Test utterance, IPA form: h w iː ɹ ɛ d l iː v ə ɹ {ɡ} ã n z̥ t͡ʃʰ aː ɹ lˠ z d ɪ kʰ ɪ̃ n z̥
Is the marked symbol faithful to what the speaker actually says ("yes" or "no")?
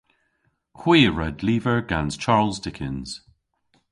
yes